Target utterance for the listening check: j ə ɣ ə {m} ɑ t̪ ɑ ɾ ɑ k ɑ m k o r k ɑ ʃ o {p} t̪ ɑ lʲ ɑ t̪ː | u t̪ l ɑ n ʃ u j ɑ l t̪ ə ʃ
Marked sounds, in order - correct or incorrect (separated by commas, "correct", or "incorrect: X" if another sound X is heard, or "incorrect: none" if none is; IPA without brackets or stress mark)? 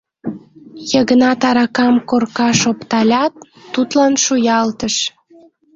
incorrect: n, correct